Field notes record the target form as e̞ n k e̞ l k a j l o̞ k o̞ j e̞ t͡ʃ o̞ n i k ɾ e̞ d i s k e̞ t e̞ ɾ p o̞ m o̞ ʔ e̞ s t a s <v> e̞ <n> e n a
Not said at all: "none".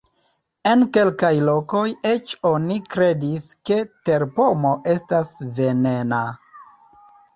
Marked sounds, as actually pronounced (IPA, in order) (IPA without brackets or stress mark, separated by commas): v, n